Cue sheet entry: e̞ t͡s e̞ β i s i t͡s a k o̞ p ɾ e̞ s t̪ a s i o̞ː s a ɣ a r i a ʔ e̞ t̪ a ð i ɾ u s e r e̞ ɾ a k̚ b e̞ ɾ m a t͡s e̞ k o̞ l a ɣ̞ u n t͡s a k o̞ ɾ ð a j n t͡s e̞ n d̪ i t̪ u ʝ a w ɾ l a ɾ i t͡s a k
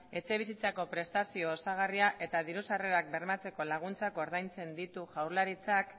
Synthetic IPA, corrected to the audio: e̞ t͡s e̞ β i s i t͡s a k o̞ p ɾ e̞ s t̪ a s i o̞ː s a ɣ a r i a ʔ e̞ t̪ a ð i ɾ u s a r e̞ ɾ a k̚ b e̞ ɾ m a t͡s e̞ k o̞ l a ɣ̞ u n t͡s a k o̞ ɾ ð a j n t͡s e̞ n d̪ i t̪ u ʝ a w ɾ l a ɾ i t͡s a k